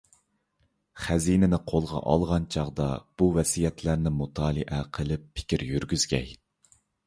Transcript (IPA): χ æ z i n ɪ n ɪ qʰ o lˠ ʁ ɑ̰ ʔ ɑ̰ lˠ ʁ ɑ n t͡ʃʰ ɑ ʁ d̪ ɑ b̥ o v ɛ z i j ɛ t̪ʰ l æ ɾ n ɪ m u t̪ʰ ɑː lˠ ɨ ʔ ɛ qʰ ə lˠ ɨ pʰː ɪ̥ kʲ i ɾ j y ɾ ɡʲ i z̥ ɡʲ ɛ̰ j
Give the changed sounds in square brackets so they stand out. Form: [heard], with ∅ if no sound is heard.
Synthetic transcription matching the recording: χ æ z i n ɪ n ɪ qʰ o lˠ ʁ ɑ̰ ʔ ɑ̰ lˠ ʁ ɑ n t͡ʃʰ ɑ ʁ d̪ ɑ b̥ [u] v ɛ [s] i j ɛ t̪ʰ l æ ɾ n ɪ m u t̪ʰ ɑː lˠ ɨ ʔ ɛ qʰ ə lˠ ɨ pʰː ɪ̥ kʲ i ɾ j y ɾ ɡʲ [y] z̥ ɡʲ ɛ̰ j